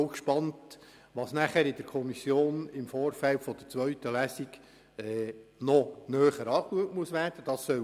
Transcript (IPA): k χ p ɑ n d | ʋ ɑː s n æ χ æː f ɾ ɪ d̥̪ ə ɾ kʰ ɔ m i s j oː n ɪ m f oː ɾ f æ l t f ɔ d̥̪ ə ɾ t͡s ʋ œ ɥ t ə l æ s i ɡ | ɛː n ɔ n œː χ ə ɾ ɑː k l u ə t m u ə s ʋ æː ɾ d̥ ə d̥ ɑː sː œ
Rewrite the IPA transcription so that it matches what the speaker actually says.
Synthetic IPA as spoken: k ʃ p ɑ n t | ʋ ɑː s n æ χ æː ɾ ɪ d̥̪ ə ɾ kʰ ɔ m i s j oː n ɪ m f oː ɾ f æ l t f ɔ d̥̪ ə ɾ t͡s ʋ œ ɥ t ə l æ s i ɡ | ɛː n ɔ n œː χ ə ɾ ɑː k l u ə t m u ə s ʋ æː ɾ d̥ ə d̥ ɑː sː œ

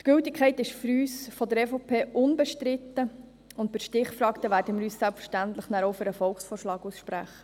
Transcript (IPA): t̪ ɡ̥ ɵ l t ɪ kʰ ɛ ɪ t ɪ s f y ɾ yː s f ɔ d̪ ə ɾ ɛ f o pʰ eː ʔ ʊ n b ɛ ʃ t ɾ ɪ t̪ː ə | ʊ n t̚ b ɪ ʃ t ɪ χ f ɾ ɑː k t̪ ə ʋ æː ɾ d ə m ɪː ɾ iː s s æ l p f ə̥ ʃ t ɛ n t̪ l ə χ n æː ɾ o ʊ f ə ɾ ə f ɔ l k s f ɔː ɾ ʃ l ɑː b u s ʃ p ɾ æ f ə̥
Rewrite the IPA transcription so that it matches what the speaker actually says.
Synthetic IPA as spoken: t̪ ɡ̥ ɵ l t ɪ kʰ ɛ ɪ t ɪ ʃ f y ɾ yː s f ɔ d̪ ə ɾ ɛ f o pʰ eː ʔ ʊ n b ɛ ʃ t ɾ ɪ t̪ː ə | ʊ n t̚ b ɪ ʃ t ɪ χ f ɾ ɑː k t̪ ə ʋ æː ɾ d ə m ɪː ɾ yː s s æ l p f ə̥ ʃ t æ n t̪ l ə χ n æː ɾ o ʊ f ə ɾ ə f ɔ l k s f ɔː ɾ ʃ l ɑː ɡ u s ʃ p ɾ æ χ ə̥

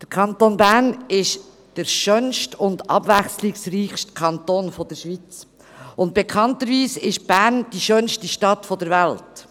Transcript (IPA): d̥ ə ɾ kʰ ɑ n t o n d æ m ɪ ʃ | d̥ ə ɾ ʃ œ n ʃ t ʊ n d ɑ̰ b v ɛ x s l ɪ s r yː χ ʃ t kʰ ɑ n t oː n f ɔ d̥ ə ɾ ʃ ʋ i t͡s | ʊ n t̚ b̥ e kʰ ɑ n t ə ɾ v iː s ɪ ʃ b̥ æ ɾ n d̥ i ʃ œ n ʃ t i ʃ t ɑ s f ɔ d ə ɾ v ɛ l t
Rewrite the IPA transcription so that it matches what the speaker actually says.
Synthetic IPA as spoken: d̥ ə ɾ kʰ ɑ n t o n b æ n ɪ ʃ | d̥ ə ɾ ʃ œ n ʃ t ʊ n d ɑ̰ b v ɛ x s l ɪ s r iː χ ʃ t kʰ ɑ n t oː n f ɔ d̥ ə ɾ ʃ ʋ i t͡s | ʊ n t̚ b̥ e kʰ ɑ n t ə ɾ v iː s ɪ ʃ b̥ æ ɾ n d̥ i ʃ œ n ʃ t i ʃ t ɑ t f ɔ d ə ɾ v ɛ l t

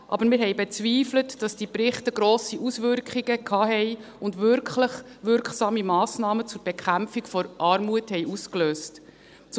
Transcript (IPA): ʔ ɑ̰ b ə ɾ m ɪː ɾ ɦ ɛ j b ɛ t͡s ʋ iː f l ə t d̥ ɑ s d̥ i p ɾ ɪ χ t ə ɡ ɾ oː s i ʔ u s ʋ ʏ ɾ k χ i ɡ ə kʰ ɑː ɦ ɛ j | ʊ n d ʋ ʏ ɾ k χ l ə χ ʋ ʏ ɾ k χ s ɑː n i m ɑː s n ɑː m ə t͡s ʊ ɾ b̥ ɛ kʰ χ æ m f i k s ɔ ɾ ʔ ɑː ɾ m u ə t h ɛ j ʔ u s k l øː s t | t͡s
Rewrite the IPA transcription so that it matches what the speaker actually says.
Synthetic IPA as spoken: ʔ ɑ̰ b ə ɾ m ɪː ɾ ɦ ɛ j b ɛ t͡s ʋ iː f l ə t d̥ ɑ s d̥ i p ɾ ɪ χ t ə ɡ ɾ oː s i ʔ u s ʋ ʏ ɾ k χ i ɡ ə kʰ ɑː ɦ ɛ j | ʊ n d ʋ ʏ ɾ k χ l ə χ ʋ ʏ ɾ k χ s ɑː m i m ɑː s n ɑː m ə t͡s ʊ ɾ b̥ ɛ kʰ χ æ m f i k f ɔ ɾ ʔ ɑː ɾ m u ə t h ɛ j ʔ u s k l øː s t | t͡s

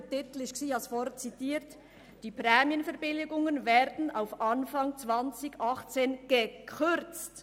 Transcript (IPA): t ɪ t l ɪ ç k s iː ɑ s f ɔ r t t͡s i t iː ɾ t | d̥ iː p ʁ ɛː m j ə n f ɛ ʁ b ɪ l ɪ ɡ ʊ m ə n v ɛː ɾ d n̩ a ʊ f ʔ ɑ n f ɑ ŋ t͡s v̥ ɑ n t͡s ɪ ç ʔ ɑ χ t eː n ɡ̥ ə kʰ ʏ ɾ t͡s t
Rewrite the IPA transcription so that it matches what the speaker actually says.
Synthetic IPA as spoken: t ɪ t l ɪ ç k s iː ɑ s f ɔ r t t͡s i t iː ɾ t | d̥ iː p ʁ ɛː m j ə n f ɛ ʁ b ɪ l ɪ ɡ ʊ ŋ ə n v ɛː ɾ d n̩ a ʊ f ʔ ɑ n f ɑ ŋ t͡s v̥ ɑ n t͡s ɪ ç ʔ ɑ χ t͡s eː n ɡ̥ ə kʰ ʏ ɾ t͡s t

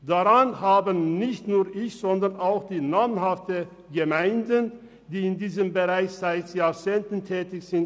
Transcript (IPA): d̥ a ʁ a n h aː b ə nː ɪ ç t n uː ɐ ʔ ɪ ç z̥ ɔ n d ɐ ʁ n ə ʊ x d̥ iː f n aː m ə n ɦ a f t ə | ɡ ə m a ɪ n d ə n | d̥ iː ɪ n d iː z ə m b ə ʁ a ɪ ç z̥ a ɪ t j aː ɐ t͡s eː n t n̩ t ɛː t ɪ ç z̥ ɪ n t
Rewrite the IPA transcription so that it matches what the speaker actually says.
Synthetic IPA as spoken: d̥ a ʁ a n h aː b ə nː ɪ ç t n uː ɐ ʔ ɪ ç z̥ ɔ n d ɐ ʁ n a ʊ x d̥ iː n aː m ə n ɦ a f t ə | ɡ ə m a ɪ n d ə n | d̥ iː ɪ n d iː z ə m b ə ʁ a ɪ ç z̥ a ɪ t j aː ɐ t͡s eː n t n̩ tʰ ɛː t ɪ ç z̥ ɪ n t

